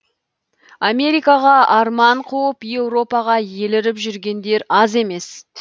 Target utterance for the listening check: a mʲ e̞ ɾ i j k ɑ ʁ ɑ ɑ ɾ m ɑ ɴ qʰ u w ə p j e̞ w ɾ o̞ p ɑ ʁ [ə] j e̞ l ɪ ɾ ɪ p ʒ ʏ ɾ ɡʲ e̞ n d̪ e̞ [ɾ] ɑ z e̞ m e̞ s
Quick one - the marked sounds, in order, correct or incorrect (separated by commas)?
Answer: incorrect, correct